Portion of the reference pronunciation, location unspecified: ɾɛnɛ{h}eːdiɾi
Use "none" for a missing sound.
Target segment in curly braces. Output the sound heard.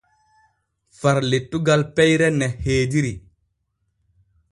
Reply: h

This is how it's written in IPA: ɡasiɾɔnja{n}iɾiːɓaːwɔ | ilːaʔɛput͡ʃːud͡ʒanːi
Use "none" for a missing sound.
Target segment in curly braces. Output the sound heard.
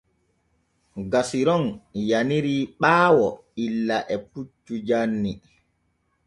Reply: n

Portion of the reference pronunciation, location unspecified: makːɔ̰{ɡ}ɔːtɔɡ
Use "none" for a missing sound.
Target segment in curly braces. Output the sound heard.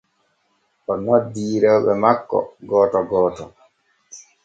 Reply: ɡ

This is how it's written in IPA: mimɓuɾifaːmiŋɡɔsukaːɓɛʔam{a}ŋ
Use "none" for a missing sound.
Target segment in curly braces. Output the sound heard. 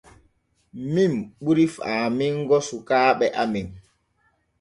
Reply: i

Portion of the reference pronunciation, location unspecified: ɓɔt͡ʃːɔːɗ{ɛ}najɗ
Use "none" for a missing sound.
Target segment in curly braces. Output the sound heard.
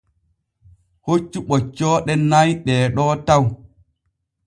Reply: ɛ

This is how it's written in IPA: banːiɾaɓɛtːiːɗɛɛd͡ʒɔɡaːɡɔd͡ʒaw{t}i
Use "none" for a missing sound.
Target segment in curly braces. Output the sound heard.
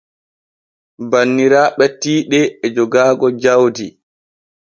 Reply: d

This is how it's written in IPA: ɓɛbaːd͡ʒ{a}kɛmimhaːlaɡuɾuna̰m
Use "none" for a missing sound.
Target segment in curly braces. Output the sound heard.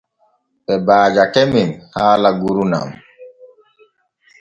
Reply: a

